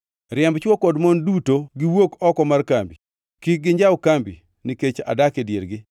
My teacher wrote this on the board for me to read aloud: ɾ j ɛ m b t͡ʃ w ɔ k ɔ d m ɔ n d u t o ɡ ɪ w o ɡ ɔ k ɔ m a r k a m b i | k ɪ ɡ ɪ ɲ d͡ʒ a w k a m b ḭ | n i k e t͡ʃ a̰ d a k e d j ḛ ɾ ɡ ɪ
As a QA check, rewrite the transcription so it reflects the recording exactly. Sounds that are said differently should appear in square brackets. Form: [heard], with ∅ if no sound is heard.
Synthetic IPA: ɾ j ɛ m b t͡ʃ w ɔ k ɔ d m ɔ n d u t o ɡ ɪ w o [k] ɔ k ɔ m a r k a m b i | k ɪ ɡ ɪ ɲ d͡ʒ a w k a m b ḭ | n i k e t͡ʃ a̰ d a k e d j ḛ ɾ ɡ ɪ